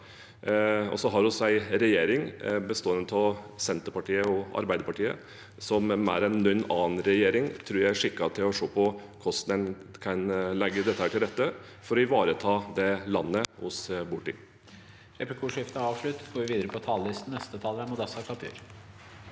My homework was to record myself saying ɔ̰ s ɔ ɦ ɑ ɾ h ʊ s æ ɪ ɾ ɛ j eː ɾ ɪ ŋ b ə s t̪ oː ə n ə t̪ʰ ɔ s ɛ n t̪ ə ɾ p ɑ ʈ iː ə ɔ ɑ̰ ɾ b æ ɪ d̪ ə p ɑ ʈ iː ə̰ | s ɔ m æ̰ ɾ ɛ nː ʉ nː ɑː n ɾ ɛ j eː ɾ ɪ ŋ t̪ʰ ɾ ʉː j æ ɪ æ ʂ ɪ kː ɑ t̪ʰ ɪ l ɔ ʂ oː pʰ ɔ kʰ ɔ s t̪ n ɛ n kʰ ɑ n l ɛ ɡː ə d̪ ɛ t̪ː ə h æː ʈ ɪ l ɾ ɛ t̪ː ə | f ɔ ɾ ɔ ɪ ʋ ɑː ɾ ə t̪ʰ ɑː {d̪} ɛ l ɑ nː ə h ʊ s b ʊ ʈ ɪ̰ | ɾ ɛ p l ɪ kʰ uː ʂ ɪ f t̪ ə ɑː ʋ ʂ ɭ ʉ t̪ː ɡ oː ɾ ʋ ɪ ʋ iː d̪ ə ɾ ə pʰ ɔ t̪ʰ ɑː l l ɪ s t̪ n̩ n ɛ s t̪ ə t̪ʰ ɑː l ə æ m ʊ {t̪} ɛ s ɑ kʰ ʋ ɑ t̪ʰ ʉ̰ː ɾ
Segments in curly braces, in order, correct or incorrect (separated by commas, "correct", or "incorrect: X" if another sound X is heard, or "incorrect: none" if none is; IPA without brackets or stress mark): correct, incorrect: d̪